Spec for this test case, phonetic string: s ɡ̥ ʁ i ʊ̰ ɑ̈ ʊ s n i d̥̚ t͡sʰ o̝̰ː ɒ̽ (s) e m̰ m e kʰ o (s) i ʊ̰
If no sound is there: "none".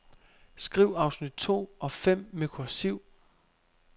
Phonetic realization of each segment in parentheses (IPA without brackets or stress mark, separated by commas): f, s